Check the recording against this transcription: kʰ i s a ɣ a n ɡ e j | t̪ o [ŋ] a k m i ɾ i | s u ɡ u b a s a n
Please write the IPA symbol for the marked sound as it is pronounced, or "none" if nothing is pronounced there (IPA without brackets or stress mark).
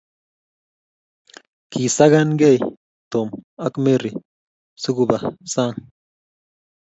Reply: m